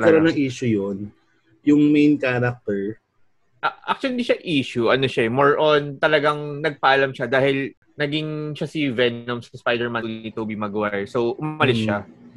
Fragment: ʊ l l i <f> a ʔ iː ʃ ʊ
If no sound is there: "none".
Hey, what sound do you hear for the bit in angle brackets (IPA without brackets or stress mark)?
ʃ